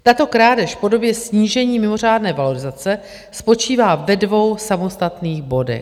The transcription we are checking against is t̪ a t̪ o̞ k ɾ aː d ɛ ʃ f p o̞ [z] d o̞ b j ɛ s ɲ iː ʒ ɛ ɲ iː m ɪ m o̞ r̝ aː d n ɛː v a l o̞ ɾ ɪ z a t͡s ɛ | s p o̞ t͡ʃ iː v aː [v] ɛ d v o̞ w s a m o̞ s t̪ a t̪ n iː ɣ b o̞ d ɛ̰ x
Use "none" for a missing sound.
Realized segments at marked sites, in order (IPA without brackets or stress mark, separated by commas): none, v